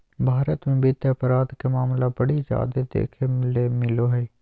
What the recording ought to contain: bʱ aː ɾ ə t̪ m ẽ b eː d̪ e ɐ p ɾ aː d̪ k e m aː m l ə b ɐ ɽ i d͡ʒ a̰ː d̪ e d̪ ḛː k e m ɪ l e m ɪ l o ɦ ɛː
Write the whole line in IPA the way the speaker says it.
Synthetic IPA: bʱ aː ɾ ə t̪ m ẽ b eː t̪ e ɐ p ɾ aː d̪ k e m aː m l a b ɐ ɽ i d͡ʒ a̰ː d̪ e d̪ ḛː kʰ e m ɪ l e m ɪ l o ɦ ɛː